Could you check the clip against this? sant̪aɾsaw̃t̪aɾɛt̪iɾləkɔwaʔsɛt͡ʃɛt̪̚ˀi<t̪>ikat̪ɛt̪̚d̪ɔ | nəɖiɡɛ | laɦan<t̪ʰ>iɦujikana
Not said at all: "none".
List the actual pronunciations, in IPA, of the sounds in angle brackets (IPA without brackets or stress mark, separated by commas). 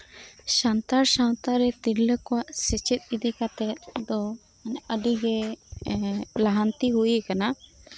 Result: d̪, t̪